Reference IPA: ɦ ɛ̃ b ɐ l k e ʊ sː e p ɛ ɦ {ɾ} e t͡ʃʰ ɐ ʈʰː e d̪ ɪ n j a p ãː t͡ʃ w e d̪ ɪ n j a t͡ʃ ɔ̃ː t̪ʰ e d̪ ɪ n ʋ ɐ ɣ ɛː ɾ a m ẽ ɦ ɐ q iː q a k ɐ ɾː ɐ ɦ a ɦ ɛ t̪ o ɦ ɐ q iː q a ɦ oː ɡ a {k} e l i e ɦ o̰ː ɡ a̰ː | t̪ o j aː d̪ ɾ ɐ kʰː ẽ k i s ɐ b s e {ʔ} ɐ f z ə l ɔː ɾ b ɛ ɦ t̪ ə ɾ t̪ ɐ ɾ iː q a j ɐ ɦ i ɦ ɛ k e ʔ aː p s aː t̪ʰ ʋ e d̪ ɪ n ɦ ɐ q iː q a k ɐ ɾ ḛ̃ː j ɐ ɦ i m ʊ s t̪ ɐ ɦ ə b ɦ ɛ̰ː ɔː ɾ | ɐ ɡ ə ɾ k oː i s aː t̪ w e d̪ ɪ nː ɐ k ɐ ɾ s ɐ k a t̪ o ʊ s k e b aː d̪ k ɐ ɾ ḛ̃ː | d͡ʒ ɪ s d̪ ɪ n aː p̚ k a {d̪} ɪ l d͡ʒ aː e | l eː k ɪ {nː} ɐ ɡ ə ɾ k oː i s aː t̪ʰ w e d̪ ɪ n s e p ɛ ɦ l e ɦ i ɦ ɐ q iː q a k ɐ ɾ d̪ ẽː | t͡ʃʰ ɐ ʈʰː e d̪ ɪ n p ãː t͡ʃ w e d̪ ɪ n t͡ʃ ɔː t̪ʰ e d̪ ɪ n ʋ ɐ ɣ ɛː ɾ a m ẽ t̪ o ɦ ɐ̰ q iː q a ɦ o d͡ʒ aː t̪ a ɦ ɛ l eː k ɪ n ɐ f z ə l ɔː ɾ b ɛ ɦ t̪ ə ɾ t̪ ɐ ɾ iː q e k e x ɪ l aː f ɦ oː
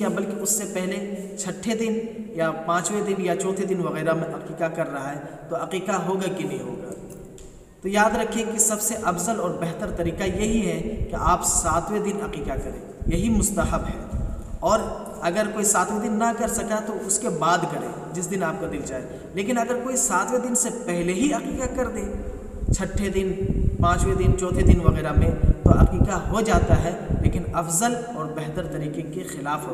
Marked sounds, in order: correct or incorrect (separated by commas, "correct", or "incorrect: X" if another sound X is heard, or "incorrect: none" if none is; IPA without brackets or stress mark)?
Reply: incorrect: l, correct, correct, correct, incorrect: n